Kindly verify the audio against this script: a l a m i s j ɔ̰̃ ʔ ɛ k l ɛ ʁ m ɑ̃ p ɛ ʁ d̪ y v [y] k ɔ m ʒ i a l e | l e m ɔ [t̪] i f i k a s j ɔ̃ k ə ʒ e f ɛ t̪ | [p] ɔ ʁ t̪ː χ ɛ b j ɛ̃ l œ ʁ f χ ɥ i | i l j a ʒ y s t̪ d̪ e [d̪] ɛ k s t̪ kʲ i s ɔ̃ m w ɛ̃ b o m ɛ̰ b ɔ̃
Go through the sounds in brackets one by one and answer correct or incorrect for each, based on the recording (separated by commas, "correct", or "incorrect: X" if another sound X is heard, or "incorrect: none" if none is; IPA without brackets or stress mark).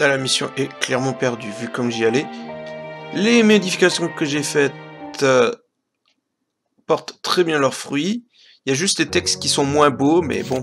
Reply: correct, incorrect: d̪, correct, incorrect: t̪